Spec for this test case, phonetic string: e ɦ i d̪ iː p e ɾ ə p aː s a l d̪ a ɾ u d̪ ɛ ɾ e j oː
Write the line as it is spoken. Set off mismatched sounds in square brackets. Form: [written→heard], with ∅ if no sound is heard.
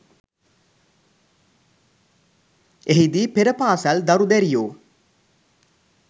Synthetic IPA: e ɦ i d̪ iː p e ɾ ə p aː s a l d̪ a ɾ u d̪ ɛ ɾ [e→i] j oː

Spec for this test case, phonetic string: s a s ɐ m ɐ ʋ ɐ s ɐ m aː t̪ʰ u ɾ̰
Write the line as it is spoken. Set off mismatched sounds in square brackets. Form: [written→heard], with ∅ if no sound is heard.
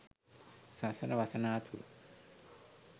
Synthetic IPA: s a s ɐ [m→n] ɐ ʋ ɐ s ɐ [m→n] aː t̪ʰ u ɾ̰

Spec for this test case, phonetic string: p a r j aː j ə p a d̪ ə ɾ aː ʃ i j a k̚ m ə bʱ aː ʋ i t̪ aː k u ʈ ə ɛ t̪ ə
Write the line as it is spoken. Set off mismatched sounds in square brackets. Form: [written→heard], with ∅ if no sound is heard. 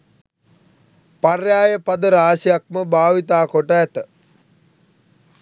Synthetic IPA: p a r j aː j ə p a d̪ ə ɾ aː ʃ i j a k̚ m ə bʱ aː ʋ i t̪ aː k [u→o] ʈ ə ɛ t̪ ə

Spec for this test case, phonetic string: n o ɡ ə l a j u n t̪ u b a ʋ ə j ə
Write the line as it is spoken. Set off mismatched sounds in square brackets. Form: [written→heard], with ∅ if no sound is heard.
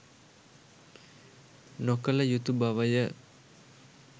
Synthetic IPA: n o [ɡ→k] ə l [a→ə] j u [n→∅] t̪ u b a ʋ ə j ə

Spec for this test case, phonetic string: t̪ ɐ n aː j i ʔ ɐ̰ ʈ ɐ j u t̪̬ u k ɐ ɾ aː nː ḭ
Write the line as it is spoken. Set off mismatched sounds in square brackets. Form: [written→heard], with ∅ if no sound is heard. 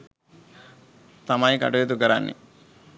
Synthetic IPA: t̪ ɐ [n→m] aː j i [ʔ→k] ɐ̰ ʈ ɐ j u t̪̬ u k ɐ ɾ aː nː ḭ

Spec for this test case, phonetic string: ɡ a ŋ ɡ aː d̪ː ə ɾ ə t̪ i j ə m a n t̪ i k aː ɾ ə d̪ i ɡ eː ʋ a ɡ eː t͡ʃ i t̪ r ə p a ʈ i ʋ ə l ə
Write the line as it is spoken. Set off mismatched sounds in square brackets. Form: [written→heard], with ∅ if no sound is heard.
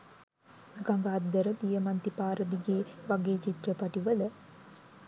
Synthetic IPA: ɡ a ŋ ɡ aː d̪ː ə ɾ ə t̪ i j ə m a n t̪ i [k→p] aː ɾ ə d̪ i ɡ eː ʋ a ɡ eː t͡ʃ i t̪ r ə p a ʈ i ʋ ə l ə

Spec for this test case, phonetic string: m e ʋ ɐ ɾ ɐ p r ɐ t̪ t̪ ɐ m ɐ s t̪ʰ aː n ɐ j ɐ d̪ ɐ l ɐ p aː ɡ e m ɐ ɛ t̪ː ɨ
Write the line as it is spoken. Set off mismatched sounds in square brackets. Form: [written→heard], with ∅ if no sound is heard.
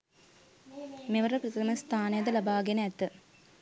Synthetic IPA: m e ʋ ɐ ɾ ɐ p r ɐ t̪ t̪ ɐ m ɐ s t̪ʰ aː n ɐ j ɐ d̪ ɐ l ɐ [p→b] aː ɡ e [m→n] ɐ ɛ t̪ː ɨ

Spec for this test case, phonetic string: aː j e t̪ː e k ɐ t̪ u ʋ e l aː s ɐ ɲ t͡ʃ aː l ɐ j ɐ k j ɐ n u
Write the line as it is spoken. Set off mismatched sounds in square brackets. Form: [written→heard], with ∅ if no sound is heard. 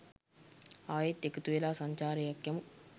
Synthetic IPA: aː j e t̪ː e k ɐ t̪ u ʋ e l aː s ɐ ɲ t͡ʃ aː [l→ɾ] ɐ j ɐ k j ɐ [n→m] u

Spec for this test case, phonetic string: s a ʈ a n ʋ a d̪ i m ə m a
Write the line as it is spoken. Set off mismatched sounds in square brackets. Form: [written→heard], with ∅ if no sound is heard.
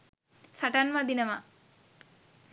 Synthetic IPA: s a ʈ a n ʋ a d̪ i [m→n] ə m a

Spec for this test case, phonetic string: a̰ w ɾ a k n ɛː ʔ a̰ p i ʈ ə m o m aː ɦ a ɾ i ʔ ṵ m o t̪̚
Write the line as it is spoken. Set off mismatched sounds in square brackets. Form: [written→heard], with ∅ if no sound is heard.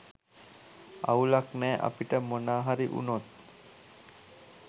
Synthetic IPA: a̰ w [ɾ→l] a k n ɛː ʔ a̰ p i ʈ ə m o [m→n] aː ɦ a ɾ i ʔ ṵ [m→n] o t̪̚

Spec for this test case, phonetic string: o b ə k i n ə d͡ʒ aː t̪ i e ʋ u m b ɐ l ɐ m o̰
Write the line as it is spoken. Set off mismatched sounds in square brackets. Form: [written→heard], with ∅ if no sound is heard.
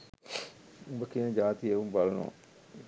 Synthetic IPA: [o→u] b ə k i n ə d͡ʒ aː t̪ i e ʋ u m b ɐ l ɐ [m→n] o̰

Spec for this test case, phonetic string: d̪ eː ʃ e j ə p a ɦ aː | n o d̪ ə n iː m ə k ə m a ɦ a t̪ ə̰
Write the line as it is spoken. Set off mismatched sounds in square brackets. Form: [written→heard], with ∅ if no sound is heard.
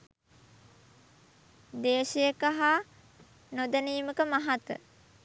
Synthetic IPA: d̪ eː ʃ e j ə [p→k] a ɦ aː | n o d̪ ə n iː m ə k ə m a ɦ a t̪ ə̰

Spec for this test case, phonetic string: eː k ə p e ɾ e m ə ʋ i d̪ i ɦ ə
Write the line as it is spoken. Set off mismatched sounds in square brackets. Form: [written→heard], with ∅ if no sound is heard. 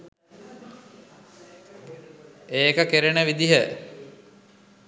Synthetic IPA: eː k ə [p→k] e ɾ e [m→n] ə ʋ i d̪ i ɦ ə

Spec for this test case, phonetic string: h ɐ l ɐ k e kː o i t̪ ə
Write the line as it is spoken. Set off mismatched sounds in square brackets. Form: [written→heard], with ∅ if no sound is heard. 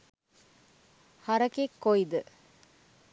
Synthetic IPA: h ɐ [l→ɾ] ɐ k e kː o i [t̪→d̪] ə

